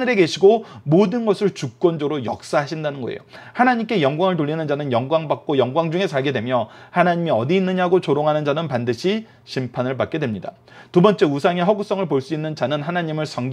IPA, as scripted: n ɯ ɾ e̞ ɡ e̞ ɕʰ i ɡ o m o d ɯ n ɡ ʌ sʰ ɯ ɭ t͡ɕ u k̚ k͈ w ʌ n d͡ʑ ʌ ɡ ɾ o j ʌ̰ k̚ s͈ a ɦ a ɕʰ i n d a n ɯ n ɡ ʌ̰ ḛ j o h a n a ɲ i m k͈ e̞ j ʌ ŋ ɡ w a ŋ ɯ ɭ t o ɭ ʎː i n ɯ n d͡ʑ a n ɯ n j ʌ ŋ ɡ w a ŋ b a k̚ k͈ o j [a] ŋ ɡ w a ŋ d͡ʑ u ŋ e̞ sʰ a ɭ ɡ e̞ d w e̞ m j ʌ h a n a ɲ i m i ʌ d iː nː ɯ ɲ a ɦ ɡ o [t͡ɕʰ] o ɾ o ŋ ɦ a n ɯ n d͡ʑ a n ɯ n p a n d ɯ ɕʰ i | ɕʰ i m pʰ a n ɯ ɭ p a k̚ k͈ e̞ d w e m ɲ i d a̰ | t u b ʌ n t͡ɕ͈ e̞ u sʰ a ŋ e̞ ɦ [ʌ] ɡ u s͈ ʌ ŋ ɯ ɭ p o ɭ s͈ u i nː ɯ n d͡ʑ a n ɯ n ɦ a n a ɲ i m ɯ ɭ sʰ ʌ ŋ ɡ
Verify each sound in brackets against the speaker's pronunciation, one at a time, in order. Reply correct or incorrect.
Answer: incorrect: ʌ, incorrect: t͡ɕ, correct

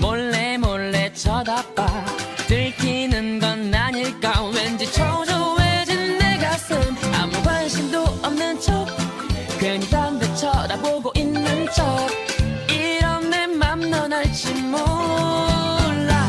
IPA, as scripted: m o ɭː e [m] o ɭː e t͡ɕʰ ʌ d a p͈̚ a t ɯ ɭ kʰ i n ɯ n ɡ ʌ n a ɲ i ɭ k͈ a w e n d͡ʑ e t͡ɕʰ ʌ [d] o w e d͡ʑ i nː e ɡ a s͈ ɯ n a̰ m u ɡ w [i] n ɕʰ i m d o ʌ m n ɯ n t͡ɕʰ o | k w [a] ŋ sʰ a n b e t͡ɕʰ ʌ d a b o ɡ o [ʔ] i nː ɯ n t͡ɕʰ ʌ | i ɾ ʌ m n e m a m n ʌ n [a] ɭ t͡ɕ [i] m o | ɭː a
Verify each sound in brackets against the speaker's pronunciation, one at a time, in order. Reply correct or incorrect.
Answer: correct, incorrect: d͡ʑ, incorrect: a, incorrect: e, correct, correct, correct

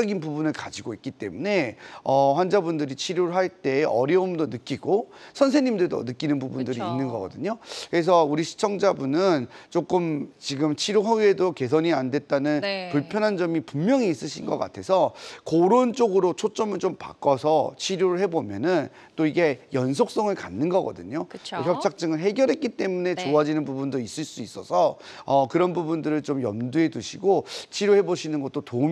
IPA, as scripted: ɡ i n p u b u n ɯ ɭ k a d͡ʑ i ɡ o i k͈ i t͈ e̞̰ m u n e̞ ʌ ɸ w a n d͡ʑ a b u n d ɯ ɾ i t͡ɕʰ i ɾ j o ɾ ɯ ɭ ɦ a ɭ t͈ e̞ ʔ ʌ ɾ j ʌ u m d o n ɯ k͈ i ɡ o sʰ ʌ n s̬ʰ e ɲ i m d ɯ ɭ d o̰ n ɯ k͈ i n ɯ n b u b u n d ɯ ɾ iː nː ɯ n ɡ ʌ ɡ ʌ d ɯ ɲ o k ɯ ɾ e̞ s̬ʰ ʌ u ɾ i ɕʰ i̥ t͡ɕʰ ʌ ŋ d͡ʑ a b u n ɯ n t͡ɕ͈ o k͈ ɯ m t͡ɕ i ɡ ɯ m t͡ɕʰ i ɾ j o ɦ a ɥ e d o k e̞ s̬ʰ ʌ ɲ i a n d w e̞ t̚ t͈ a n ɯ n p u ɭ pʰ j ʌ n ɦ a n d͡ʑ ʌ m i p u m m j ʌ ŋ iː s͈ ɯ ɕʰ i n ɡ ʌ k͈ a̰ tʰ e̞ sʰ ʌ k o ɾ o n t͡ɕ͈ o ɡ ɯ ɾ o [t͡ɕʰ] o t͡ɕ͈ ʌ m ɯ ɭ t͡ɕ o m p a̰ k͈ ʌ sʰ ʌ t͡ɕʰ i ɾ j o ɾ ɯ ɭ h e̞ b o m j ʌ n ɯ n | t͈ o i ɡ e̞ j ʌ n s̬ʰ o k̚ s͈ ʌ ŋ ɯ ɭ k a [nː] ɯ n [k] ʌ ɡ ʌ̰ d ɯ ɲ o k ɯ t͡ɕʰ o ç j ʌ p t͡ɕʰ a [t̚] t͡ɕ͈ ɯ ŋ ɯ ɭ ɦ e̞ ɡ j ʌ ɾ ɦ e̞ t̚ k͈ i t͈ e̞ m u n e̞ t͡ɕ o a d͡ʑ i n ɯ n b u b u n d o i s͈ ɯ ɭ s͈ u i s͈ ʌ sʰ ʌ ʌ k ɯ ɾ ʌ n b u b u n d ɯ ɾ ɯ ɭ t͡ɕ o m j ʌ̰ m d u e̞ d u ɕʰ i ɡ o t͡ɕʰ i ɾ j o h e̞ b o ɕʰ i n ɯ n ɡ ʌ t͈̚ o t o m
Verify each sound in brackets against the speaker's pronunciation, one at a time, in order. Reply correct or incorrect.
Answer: correct, correct, incorrect: ɡ, incorrect: k̚

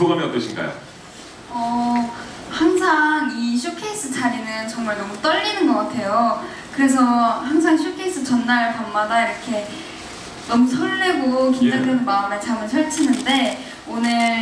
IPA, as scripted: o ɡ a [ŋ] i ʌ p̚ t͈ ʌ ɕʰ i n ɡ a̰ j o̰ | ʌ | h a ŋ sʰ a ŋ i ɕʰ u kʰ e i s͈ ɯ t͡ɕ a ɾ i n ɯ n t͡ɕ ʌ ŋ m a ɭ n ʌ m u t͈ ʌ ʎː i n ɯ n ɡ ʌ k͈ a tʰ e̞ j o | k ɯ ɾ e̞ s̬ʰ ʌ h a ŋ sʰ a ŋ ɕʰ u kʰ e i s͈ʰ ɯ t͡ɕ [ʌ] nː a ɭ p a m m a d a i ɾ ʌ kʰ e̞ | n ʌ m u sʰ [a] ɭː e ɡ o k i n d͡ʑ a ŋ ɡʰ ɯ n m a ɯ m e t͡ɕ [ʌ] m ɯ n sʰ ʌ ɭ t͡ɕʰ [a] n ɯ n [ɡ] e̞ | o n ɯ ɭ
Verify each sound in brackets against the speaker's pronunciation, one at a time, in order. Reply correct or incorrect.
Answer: incorrect: m, correct, incorrect: ʌ, incorrect: a, incorrect: i, incorrect: d

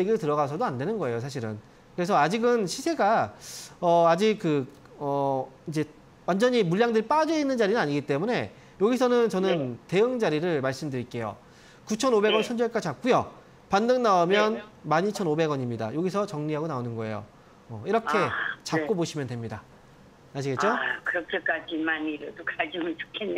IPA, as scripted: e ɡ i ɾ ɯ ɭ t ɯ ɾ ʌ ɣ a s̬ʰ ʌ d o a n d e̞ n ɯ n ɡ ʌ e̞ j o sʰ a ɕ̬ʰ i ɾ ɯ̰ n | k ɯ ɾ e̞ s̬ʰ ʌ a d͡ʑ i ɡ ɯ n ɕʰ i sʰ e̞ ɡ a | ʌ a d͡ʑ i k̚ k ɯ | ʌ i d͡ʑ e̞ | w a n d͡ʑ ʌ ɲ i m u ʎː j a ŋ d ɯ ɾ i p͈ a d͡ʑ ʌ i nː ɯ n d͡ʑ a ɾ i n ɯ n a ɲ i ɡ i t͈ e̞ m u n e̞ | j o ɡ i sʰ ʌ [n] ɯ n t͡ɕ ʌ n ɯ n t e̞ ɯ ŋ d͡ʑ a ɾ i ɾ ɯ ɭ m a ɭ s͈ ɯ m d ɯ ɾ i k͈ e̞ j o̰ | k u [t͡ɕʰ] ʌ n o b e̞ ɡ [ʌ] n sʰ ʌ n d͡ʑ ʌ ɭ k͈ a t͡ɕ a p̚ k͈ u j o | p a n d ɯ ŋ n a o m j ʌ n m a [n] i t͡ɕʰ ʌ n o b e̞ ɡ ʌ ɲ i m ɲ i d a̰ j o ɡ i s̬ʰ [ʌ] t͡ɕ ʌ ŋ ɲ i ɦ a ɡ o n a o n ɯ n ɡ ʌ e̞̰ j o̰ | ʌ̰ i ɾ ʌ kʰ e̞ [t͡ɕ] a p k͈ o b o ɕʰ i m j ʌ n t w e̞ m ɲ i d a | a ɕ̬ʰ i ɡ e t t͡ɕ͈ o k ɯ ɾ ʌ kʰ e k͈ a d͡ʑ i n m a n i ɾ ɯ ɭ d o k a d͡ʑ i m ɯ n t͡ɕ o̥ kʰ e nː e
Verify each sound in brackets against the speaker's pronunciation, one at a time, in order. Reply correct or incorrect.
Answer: correct, correct, correct, incorrect: ɲ, correct, correct

